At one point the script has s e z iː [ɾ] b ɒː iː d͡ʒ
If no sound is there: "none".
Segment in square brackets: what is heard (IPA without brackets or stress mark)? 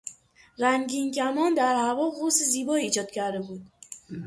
none